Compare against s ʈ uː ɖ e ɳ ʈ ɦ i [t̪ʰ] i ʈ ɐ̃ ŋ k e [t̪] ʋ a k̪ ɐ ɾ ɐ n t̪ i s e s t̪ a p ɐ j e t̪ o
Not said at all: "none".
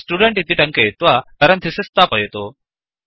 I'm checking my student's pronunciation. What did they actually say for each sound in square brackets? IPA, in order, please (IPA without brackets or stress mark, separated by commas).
t̪, t̪